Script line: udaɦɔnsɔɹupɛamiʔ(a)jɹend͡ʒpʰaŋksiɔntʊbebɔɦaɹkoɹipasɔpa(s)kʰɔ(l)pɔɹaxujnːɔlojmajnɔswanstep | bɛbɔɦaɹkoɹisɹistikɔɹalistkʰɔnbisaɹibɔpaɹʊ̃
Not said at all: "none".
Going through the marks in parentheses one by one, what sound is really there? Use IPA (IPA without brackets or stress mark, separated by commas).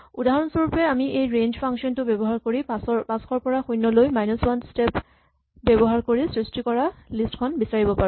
e, s, ɹ